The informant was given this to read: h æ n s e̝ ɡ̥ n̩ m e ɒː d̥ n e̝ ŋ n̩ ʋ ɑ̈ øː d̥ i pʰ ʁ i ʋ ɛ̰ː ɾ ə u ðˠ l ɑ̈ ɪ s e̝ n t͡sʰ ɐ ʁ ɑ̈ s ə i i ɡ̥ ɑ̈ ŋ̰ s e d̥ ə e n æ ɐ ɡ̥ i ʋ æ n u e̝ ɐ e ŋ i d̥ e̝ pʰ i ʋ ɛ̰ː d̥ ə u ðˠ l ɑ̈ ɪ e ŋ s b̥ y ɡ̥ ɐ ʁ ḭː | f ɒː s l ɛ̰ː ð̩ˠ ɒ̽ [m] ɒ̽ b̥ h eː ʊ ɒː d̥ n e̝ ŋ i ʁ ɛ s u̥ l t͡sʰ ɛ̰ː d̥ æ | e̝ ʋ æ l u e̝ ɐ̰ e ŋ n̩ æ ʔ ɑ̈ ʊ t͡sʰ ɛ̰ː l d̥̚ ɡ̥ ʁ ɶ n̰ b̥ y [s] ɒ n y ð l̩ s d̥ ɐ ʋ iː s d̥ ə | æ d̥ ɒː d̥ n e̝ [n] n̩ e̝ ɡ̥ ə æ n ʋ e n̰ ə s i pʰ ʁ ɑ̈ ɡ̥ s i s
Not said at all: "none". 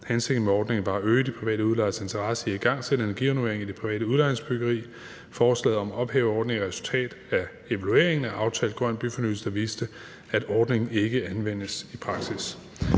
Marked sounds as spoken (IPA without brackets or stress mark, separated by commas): m, f, ŋ